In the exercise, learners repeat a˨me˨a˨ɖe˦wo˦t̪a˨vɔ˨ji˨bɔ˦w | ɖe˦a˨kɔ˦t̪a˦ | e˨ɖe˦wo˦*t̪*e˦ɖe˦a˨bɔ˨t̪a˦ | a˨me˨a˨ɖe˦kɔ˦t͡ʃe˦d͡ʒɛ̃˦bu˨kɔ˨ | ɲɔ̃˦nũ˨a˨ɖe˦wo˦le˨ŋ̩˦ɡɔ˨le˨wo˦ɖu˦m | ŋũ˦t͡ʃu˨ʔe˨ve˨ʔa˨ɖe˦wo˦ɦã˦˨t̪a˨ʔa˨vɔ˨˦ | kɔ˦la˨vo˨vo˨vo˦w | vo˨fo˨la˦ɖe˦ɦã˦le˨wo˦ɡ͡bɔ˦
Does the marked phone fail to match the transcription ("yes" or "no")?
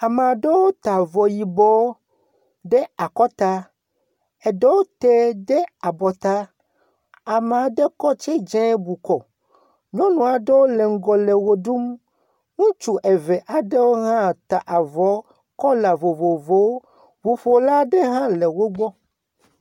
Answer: no